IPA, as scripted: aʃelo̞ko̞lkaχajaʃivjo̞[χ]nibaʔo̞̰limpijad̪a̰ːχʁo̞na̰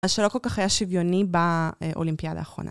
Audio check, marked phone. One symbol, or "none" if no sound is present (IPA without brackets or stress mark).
none